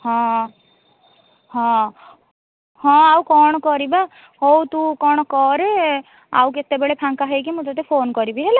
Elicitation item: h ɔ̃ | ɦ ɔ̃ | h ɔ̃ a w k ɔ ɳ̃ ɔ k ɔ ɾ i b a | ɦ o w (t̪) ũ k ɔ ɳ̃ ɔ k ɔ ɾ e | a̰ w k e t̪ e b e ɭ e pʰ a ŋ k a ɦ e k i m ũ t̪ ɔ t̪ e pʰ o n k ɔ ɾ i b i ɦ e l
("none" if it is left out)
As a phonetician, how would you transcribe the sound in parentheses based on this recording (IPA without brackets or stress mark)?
t̪